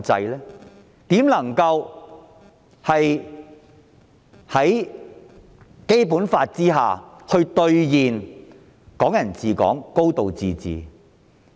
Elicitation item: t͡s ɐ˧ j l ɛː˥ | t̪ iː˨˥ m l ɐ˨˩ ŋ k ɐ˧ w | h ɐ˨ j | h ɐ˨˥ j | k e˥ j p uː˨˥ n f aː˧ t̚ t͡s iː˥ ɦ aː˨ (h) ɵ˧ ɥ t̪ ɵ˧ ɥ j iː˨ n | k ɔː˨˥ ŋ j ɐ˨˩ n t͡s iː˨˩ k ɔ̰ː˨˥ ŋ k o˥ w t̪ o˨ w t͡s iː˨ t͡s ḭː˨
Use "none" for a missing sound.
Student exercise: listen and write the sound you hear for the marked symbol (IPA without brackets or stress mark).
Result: h